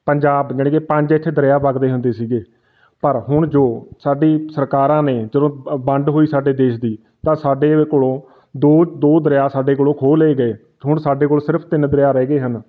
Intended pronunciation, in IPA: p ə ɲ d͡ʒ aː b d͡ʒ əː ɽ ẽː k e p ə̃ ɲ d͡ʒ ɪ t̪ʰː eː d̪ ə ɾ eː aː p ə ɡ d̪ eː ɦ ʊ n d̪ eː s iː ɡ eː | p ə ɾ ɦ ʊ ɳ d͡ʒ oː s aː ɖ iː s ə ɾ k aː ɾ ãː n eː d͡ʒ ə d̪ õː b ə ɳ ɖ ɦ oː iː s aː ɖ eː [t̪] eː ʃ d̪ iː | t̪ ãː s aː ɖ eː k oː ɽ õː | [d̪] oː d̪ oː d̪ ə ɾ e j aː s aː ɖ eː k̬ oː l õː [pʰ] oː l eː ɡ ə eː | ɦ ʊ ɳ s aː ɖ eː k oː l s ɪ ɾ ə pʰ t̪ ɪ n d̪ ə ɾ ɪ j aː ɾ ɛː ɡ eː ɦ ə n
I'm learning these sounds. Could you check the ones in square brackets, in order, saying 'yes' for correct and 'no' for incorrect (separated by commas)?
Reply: no, yes, no